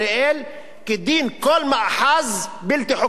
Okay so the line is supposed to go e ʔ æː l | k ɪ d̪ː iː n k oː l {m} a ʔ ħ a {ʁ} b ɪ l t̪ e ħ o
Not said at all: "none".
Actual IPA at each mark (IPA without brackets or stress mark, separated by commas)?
m, z